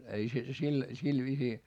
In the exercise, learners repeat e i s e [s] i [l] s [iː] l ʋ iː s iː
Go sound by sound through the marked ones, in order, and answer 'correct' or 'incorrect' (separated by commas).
correct, correct, incorrect